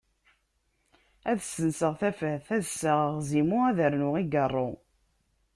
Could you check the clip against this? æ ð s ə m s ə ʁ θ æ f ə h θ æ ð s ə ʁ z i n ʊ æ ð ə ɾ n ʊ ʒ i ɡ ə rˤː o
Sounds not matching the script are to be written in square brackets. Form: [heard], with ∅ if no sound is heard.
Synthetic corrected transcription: æ ð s ə [n] s ə ʁ θ æ f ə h θ æ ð s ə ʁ z i [m] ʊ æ ð ə ɾ n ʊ [ʁ] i ɡ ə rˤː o